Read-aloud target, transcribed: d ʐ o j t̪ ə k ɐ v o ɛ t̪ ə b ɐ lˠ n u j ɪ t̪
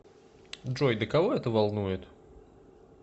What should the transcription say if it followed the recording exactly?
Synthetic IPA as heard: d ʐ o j d̪ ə k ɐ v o ɛ t̪ ə v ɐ lˠ n u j ɪ t̪